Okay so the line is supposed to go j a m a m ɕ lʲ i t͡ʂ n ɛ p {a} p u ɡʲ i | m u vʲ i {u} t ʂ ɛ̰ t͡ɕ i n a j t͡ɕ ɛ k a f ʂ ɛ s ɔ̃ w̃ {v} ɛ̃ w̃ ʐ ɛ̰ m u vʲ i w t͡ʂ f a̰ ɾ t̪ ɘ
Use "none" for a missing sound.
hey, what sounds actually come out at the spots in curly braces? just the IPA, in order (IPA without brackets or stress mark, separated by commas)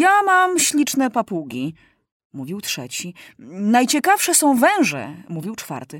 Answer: a, w, v